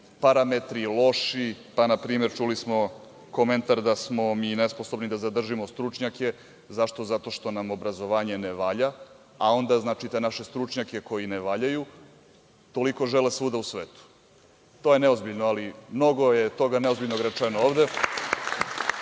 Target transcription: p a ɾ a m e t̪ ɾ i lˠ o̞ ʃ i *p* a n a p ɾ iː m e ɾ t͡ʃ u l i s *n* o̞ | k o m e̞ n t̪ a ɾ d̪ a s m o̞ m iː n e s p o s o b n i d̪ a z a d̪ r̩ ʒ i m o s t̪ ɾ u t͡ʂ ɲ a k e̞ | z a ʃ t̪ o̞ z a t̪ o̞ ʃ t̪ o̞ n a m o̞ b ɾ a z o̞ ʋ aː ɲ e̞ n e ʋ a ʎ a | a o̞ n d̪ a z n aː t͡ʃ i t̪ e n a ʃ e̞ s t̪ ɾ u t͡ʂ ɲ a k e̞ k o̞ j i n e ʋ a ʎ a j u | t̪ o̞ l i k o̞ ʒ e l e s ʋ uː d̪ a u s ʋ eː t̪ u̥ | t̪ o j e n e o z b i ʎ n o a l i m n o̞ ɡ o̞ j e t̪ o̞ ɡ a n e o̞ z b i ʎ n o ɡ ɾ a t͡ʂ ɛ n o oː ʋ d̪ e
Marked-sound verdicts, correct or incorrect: correct, incorrect: m

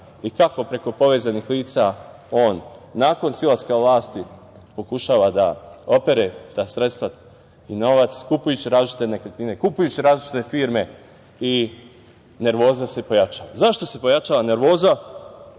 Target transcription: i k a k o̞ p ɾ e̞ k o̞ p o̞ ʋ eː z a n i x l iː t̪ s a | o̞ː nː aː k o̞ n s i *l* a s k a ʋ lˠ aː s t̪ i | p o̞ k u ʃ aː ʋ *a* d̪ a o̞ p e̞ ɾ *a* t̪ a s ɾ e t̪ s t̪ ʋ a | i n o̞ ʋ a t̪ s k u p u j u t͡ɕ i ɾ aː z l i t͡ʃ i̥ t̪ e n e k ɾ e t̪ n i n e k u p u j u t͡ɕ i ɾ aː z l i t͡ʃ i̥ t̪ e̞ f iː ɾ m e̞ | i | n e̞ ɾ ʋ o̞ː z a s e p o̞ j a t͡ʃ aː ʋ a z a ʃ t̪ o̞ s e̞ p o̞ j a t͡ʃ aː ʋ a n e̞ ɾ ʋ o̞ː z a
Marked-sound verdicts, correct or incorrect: correct, correct, incorrect: e

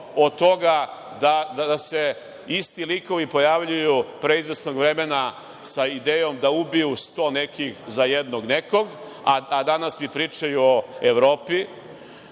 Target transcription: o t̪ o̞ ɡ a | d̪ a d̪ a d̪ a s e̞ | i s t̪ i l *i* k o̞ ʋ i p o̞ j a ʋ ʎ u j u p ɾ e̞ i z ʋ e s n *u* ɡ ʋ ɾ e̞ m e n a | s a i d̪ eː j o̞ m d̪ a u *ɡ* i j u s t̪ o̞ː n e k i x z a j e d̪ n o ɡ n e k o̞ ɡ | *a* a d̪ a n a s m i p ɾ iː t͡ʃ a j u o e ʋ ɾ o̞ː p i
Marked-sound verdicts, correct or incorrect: correct, incorrect: o, incorrect: b, correct

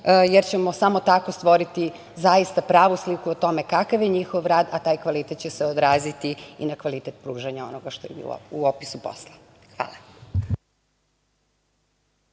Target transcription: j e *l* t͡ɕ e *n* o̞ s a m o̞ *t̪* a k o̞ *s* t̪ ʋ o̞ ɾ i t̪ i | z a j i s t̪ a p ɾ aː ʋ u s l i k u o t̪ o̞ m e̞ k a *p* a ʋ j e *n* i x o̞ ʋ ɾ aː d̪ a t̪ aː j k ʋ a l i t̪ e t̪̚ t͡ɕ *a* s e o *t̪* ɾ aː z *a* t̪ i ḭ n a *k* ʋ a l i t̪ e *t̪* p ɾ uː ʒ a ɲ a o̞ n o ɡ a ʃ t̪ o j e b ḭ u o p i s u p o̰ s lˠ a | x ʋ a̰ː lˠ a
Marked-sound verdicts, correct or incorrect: incorrect: ɾ, incorrect: m, correct, correct, incorrect: k, incorrect: ɲ, incorrect: e, incorrect: d̪, incorrect: i, correct, correct

